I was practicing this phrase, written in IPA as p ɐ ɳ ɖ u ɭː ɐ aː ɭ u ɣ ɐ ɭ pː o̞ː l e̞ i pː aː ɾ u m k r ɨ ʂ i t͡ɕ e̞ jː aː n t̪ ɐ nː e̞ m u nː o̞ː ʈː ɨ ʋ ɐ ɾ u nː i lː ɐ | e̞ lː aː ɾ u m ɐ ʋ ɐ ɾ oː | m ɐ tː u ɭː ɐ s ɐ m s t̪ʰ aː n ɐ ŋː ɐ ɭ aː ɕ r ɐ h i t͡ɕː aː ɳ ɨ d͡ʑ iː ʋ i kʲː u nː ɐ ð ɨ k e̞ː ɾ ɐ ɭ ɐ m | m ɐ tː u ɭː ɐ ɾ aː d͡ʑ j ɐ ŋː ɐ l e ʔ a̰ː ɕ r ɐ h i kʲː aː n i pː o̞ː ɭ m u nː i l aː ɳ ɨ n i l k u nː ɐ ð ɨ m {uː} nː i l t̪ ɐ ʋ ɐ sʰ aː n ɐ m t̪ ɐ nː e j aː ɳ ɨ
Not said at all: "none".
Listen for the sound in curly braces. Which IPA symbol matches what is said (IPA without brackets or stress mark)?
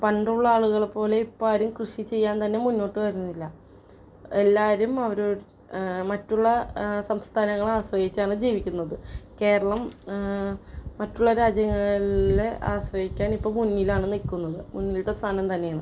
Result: u